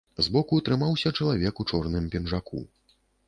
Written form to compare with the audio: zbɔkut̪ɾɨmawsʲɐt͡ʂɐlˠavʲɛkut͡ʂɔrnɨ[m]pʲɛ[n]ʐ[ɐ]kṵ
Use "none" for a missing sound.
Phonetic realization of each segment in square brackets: m, n, a

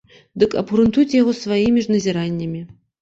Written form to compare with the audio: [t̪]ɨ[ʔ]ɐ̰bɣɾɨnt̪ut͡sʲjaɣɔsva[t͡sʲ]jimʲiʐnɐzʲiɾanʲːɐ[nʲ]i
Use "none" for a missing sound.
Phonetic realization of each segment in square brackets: d̪, k, none, mʲ

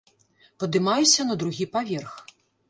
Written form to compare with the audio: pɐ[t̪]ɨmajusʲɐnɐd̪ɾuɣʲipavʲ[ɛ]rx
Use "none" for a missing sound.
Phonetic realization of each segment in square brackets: d̪, ɛ

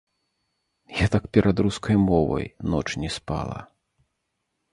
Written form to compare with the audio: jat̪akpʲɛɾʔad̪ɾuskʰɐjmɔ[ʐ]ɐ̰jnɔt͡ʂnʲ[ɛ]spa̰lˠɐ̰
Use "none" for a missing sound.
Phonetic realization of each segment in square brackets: v, ɛ

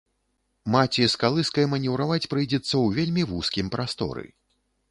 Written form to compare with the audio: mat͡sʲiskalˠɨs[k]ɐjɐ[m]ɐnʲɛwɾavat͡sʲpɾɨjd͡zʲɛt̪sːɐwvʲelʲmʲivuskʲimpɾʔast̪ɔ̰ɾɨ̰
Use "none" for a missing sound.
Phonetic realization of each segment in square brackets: k, m

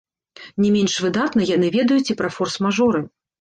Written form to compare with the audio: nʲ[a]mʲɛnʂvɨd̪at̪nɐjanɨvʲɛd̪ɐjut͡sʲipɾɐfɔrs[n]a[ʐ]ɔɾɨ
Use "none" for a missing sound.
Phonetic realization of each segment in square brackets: ɛ, m, ʐ

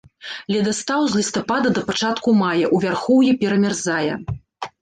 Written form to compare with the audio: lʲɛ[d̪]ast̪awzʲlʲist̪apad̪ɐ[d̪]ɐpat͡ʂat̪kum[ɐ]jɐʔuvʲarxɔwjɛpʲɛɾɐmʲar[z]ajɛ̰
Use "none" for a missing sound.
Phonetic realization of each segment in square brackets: d̪, d̪, a, z

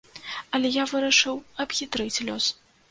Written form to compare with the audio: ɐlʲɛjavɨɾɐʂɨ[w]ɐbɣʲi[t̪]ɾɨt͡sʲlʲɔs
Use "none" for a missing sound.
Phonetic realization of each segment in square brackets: w, t̪

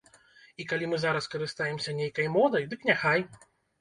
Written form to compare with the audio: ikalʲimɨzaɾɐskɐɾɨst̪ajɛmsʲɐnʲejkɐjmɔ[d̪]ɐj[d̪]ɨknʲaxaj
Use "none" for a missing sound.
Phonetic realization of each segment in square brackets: d̪, d̪

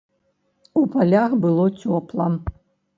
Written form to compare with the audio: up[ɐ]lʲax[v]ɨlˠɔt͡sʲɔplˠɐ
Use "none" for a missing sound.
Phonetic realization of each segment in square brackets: a, b

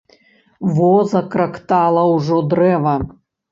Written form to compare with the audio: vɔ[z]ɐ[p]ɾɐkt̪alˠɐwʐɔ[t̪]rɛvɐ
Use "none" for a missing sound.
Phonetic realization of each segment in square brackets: z, k, d̪

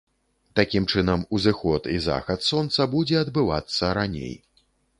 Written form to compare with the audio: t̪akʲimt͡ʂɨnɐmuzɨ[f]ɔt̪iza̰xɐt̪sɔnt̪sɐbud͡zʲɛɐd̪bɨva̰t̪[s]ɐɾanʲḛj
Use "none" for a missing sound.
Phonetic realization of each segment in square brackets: x, sː

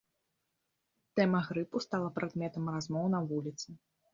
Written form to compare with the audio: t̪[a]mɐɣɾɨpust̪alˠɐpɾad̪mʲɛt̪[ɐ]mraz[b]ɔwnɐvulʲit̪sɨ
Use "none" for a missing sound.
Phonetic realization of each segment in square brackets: ɛ, ɐ, m

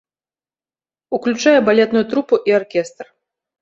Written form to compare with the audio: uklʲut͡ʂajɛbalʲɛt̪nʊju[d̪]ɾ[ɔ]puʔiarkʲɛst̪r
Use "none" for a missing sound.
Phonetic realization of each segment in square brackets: t̪, u

